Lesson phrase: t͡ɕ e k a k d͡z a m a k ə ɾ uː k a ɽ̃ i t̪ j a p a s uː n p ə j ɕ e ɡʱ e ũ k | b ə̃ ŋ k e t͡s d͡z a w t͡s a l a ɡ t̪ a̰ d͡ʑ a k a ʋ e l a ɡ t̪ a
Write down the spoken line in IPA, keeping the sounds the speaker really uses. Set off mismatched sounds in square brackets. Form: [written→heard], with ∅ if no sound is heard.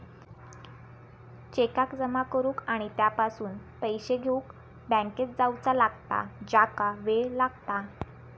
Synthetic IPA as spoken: t͡ɕ e k a k d͡z [a→ə] m a k ə ɾ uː k a ɽ̃ i t̪ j a p a s uː n p ə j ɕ e ɡʱ e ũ k | b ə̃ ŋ k e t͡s d͡z a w t͡s a l a ɡ t̪ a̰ d͡ʑ a k a ʋ e l a ɡ t̪ a